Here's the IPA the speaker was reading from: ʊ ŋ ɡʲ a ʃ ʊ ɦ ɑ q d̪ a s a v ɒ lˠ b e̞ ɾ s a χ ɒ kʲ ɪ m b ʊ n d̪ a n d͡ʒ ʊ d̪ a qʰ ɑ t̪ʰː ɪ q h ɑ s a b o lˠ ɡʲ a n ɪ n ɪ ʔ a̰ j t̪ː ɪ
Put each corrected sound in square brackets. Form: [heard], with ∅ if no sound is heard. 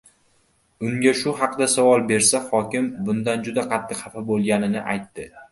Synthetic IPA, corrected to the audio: ʊ ŋ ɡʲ a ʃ ʊ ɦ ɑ q d̪ a s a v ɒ lˠ b e̞ ɾ s a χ ɒ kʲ ɪ m b ʊ n d̪ a n d͡ʒ ʊ d̪ a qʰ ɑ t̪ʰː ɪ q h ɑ [f] a b o lˠ ɡʲ a n ɪ n ɪ ʔ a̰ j t̪ː ɪ